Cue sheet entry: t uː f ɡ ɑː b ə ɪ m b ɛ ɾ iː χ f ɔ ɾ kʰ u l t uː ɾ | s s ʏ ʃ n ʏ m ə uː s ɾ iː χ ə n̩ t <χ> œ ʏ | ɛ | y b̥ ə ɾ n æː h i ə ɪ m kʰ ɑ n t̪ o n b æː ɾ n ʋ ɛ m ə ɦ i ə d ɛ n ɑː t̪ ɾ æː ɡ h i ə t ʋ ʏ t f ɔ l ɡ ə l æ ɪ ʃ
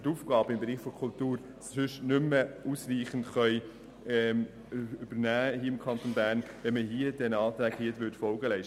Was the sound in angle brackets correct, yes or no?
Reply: yes